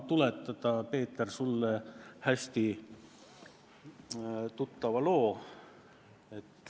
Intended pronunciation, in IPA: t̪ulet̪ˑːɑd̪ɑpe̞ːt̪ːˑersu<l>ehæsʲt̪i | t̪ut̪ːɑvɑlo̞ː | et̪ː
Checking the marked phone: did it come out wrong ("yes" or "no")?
yes